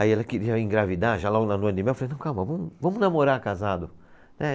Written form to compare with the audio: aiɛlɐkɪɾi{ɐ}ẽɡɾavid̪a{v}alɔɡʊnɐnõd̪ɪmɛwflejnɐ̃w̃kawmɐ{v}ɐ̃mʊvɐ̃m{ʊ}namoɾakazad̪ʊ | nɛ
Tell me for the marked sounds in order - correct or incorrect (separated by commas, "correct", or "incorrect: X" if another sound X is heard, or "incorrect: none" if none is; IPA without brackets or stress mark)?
correct, incorrect: ʒ, correct, correct